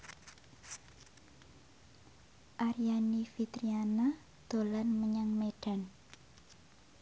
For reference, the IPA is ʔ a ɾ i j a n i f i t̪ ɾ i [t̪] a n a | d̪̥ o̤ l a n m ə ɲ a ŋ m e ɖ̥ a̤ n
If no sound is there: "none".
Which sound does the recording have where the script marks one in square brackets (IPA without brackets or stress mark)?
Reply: none